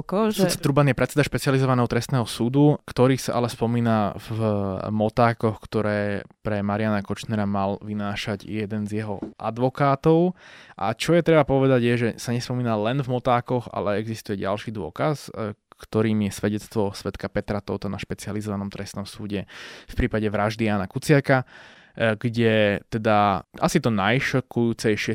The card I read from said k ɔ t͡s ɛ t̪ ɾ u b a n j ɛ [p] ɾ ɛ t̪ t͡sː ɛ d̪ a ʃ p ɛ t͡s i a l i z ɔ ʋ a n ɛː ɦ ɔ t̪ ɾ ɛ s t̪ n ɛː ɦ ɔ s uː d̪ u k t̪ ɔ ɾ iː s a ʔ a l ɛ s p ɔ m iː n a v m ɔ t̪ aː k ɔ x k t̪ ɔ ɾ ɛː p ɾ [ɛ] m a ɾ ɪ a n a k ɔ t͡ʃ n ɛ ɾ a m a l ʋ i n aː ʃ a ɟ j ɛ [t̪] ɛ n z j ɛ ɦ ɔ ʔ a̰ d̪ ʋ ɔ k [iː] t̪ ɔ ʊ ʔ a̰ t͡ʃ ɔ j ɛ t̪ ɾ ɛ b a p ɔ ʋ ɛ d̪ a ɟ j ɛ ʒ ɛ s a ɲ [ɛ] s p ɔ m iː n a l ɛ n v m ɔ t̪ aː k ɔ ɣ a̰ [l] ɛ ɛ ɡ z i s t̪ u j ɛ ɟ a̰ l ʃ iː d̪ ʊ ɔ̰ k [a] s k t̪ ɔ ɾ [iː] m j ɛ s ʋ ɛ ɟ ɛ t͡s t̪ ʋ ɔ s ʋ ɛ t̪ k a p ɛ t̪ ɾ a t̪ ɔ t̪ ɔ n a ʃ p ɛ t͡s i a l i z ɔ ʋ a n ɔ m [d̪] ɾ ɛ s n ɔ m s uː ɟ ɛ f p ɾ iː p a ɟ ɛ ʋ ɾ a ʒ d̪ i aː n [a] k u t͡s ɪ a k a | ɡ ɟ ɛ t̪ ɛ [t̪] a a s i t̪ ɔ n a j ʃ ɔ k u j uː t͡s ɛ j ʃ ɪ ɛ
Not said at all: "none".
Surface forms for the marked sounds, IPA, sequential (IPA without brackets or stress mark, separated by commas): p, ɛ, d̪, aː, ɛ, l, a, iː, t̪, a, d̪